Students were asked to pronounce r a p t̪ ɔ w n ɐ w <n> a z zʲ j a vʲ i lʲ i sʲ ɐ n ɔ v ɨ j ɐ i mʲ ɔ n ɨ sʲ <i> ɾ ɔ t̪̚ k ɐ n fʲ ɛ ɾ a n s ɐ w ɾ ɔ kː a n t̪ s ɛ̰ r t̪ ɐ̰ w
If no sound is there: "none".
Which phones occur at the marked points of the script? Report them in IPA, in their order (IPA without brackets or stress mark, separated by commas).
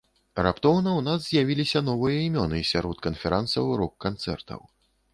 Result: n, a